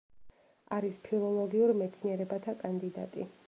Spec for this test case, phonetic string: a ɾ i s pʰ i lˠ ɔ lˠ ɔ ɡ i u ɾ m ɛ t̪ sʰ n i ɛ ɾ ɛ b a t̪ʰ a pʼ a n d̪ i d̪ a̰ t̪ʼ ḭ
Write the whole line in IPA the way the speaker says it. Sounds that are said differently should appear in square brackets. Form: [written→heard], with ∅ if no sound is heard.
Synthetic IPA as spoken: a ɾ i s pʰ i lˠ ɔ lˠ ɔ ɡ i u ɾ m ɛ t̪ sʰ n i ɛ ɾ ɛ b a t̪ʰ a [pʼ→kʼ] a n d̪ i d̪ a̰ t̪ʼ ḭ

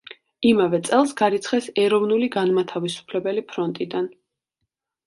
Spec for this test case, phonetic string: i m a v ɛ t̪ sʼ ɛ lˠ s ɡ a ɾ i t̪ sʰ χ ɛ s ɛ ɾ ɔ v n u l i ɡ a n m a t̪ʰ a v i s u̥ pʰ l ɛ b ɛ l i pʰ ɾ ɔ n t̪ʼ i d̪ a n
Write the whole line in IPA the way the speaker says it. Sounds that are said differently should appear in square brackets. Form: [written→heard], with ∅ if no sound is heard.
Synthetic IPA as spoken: i m a v ɛ t̪ sʼ ɛ lˠ s ɡ a ɾ i t̪ sʰ χ ɛ s ɛ ɾ ɔ v n u l i ɡ a n m a t̪ʰ a v i s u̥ pʰ l ɛ b ɛ l i pʰ ɾ ɔ n t̪ʼ i d̪ a n

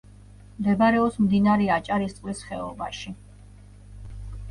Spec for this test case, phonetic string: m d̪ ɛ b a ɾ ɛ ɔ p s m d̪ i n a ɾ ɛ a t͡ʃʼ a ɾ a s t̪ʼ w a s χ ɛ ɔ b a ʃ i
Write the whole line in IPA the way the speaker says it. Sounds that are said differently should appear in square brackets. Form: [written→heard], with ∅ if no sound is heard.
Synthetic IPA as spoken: m d̪ ɛ b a ɾ ɛ ɔ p s m d̪ i n a ɾ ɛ a t͡ʃʼ a ɾ [a→i] s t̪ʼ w [a→i] s χ ɛ ɔ b a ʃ i

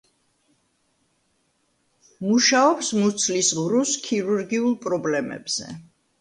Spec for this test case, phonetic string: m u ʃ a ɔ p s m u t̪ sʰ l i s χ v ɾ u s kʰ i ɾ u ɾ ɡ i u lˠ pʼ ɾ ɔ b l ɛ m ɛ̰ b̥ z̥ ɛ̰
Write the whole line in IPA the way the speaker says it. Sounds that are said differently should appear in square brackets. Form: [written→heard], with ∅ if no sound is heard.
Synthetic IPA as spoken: m u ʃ a ɔ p s m u t̪ sʰ l i s [χ→ʁ] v ɾ u s kʰ i ɾ u ɾ ɡ i u lˠ pʼ ɾ ɔ b l ɛ m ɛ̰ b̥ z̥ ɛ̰

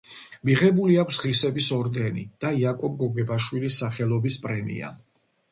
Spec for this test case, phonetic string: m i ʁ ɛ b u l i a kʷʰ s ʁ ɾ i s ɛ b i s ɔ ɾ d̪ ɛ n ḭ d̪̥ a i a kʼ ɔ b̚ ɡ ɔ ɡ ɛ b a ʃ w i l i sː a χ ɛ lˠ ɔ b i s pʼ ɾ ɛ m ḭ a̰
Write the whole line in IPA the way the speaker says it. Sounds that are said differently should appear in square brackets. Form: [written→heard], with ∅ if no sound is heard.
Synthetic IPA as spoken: m i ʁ ɛ b u l i a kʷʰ s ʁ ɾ i s ɛ b i s ɔ ɾ d̪ ɛ n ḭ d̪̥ a i a kʼ ɔ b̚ ɡ ɔ ɡ ɛ b a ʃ w i l i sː a χ ɛ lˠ ɔ b i s pʼ ɾ ɛ m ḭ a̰

